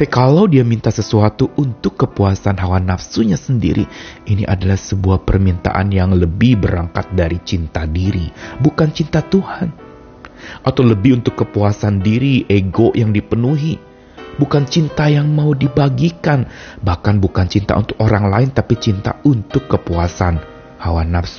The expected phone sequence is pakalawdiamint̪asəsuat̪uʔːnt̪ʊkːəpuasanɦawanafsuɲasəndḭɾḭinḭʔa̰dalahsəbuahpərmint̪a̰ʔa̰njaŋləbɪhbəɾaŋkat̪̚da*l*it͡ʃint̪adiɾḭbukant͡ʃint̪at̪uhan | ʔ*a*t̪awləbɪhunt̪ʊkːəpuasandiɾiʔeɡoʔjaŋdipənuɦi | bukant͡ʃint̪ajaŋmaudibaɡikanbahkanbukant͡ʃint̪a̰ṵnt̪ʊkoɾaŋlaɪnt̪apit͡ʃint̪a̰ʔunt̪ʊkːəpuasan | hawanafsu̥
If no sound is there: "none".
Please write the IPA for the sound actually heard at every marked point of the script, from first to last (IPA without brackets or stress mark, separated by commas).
ɾ, a